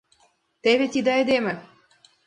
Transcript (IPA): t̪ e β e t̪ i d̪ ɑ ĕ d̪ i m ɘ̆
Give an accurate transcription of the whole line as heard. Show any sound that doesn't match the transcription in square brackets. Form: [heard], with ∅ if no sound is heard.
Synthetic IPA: t̪ e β e t̪ i d̪ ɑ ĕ d̪ [e] m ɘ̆